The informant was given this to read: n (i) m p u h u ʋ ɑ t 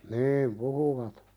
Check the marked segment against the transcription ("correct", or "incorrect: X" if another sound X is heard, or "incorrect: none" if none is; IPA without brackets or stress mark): incorrect: iː